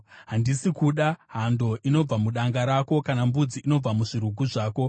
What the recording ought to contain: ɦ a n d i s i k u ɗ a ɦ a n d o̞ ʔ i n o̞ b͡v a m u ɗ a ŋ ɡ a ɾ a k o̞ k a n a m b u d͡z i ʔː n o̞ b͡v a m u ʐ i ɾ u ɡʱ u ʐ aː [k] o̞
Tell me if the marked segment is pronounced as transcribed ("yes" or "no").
yes